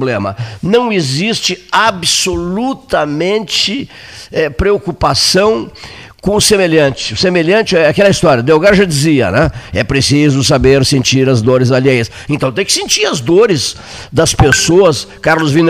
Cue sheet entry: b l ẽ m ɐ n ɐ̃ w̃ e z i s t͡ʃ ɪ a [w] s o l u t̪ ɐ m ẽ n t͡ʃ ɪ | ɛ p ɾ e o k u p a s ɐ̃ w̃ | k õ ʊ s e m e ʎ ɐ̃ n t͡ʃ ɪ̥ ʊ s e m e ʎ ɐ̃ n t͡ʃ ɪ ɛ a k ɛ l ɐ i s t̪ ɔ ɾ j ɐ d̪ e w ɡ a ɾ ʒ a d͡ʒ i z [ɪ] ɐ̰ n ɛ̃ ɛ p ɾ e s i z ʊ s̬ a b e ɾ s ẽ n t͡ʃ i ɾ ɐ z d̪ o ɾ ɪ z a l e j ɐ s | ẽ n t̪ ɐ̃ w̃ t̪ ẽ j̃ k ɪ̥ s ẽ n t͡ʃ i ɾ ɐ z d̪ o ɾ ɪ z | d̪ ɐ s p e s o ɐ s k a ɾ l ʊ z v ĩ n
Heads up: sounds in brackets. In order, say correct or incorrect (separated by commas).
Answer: incorrect, incorrect